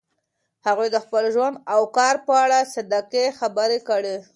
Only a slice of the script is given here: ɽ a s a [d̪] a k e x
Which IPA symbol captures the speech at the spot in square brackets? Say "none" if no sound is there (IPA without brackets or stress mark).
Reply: d̪